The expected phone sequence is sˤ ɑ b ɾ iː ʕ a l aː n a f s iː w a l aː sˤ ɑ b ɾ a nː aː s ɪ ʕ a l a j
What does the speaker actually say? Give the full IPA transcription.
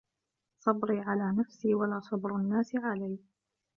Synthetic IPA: sˤ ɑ b ɾ iː ʕ a l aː n a f s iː w a l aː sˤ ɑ b ɾ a nː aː s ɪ ʕ a l a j

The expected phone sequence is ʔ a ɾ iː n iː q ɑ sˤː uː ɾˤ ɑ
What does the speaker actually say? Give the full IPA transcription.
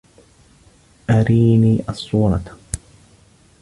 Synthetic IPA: ʔ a ɾ iː n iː ʔ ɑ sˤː uː ɾˤ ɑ

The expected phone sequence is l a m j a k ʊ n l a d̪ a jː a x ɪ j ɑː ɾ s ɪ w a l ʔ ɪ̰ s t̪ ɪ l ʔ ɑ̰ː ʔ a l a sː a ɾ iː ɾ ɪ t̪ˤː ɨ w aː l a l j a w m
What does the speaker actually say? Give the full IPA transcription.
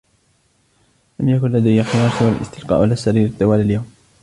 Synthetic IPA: l a m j a k ʊ n l a d̪ a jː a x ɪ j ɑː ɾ s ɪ w a l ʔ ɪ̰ s t̪ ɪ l q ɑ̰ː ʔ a l a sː a ɾ iː ɾ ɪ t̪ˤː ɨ w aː l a l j a w m

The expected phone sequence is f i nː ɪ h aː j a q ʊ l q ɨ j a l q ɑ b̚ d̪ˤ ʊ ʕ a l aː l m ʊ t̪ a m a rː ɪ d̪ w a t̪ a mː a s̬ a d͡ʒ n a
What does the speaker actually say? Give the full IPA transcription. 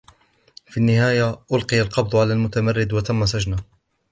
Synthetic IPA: f i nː ɪ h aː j a ʔ ʊ l q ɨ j a l q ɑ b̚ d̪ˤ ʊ ʕ a l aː l m ʊ t̪ a m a rː ɪ d̪ w a t̪ a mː a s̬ a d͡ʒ n a

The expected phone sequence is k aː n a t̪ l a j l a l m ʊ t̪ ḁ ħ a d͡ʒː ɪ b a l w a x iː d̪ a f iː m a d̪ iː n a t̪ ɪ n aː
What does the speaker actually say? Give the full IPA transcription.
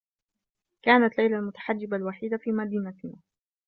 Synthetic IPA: k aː n a t̪ l a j l a l m ʊ t̪ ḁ ħ a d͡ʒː ɪ b a l w a ħ iː d̪ a f iː m a d̪ iː n a t̪ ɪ n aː

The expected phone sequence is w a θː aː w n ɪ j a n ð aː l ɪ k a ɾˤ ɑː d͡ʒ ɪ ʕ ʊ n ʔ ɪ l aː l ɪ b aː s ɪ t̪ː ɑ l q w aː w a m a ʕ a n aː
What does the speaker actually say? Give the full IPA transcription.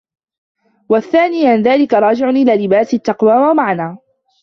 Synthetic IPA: w a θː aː n ɪ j a n ð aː l ɪ k a ɾˤ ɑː d͡ʒ ɪ ʕ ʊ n ʔ ɪ l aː l ɪ b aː s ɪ t̪ː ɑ q w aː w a m a ʕ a n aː

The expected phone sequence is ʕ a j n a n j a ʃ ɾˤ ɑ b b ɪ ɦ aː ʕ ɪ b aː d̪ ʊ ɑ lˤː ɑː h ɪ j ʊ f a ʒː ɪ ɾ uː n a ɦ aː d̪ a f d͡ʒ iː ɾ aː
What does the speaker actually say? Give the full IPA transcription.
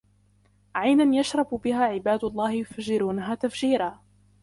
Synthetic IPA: ʕ a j n a n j a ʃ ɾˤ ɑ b b ɪ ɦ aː ʕ ɪ b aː d̪ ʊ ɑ lˤː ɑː h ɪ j ʊ f a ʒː ɪ ɾ uː n a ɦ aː t̪ a f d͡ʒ iː ɾ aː

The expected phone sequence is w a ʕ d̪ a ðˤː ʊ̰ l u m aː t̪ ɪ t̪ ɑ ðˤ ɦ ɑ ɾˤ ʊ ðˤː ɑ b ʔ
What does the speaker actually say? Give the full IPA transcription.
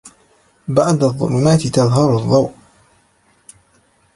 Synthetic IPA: b a ʕ d̪ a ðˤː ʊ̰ l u m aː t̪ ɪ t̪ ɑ ðˤ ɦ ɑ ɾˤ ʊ ðˤː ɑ w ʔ

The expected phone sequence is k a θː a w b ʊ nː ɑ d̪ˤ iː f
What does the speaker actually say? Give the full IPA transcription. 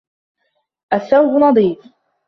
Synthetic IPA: ʔ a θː a w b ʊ n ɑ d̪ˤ iː f

